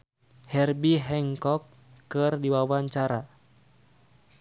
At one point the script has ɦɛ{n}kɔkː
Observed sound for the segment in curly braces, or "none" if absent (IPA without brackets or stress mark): ŋ